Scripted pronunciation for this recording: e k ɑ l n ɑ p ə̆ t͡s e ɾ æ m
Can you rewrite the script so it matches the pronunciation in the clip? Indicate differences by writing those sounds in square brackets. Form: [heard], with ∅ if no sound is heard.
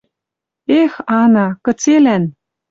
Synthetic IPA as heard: e [x] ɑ [∅] n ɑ [k] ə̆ t͡s e [l] æ [n]